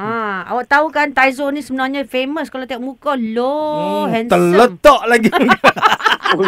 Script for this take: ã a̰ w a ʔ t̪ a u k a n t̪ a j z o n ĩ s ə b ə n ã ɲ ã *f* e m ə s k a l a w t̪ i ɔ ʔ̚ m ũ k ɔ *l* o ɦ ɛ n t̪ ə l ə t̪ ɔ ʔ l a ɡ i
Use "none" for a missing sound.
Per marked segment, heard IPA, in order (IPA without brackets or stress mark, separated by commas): f, l